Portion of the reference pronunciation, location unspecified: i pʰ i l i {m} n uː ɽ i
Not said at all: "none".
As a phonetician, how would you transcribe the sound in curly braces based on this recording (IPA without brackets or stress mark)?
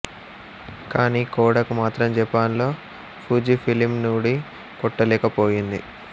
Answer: m